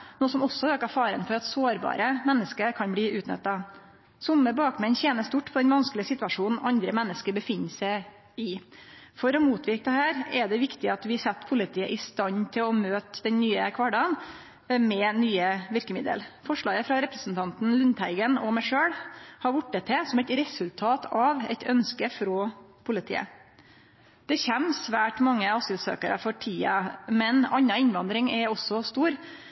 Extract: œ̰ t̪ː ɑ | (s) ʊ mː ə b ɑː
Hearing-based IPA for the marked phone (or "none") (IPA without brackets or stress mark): s